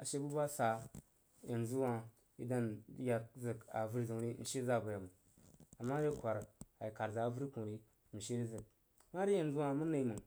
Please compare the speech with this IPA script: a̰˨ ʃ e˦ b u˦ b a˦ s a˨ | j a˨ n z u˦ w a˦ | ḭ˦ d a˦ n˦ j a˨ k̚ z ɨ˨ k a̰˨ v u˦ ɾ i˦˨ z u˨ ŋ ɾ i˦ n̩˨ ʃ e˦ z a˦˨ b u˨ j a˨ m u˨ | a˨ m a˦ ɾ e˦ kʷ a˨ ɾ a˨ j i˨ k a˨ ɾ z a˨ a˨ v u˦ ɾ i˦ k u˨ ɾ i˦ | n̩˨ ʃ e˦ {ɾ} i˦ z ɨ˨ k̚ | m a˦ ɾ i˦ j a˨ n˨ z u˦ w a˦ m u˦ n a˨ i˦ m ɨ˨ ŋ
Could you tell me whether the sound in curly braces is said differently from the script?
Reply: no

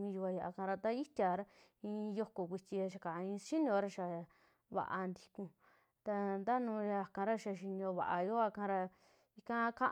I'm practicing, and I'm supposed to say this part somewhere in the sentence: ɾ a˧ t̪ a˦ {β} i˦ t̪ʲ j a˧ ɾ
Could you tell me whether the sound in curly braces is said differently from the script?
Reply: yes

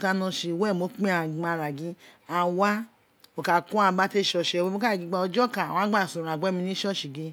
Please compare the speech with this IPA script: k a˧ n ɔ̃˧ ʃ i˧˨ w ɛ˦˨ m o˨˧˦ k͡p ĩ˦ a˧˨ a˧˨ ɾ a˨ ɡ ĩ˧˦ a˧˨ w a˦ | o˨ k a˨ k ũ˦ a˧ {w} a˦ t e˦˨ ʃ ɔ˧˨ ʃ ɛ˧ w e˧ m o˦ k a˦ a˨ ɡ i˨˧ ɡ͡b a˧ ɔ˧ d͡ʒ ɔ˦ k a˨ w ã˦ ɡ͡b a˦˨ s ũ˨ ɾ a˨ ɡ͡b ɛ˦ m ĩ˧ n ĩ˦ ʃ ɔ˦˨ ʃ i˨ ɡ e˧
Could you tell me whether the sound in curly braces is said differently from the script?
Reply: yes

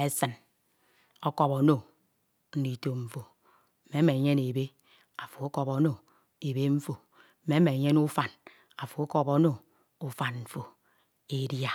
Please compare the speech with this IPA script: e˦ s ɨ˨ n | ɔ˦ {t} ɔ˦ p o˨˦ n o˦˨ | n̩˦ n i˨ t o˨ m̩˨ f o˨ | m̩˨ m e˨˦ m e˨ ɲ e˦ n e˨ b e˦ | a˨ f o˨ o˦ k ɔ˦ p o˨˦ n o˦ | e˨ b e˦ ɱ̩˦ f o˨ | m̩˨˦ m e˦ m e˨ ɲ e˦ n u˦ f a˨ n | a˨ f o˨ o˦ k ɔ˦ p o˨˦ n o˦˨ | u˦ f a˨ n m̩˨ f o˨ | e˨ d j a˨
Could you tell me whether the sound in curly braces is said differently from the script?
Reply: yes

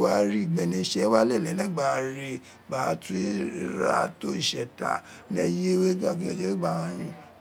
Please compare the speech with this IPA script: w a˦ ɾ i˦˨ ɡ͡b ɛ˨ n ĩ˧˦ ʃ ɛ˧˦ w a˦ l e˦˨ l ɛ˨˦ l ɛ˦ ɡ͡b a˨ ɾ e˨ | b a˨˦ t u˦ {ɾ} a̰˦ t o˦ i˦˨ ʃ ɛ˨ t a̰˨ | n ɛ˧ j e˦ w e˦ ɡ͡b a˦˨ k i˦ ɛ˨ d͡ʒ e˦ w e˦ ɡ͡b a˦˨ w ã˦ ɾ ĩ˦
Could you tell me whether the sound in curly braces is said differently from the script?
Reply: no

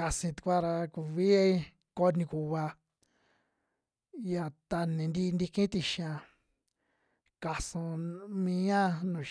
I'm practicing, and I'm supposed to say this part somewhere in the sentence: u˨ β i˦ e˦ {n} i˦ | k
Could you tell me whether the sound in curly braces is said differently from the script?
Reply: yes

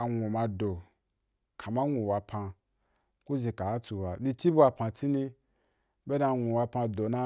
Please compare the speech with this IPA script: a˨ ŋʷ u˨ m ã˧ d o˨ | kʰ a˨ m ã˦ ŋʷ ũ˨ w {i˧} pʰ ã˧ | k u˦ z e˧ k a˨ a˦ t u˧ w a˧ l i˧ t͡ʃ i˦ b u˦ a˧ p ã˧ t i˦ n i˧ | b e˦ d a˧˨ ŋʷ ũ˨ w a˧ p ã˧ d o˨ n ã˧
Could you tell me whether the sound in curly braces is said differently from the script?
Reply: yes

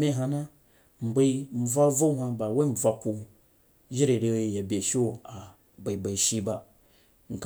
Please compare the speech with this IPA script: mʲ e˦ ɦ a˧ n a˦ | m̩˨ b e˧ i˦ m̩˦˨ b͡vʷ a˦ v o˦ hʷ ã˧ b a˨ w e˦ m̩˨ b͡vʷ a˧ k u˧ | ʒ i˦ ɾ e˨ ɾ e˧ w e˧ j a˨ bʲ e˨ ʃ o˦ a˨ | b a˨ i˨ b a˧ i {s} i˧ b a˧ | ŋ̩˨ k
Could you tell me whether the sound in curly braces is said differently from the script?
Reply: yes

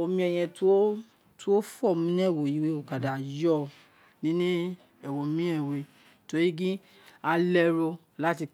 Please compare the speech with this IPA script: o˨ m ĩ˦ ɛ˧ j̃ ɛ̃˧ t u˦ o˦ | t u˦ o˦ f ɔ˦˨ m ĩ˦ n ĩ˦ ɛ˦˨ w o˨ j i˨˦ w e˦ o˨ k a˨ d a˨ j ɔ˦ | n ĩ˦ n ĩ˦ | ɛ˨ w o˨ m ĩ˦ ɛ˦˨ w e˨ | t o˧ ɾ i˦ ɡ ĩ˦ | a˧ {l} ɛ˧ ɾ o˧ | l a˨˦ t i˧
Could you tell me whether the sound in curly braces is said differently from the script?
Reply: no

